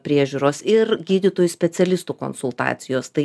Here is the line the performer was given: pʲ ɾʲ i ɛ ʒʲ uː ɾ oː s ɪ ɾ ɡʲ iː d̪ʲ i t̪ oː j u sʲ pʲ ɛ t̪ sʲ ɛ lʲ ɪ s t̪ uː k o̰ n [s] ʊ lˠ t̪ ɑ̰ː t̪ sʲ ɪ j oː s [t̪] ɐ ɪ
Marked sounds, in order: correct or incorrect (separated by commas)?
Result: correct, correct